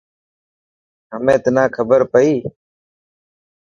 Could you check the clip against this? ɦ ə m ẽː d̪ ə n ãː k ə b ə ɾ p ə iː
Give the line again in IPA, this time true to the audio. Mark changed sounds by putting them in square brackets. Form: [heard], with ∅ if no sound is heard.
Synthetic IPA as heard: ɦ ə m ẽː [t̪] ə n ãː [kʰ] ə b ə ɾ p ə iː